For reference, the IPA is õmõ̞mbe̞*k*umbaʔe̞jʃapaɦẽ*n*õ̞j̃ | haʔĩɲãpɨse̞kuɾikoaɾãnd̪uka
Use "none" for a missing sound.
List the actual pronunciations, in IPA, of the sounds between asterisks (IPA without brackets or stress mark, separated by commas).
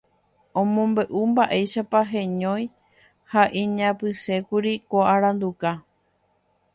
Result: ʔ, ɲ